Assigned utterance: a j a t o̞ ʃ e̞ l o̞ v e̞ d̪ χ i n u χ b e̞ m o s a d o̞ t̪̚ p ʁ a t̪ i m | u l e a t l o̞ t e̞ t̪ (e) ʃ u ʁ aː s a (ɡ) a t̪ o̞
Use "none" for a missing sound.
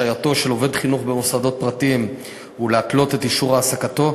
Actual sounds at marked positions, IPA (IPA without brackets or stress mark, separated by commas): i, k